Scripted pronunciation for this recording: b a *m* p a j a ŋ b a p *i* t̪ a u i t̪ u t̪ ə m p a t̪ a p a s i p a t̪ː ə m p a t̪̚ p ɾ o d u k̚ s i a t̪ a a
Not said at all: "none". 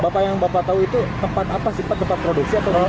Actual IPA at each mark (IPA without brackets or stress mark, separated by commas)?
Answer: none, a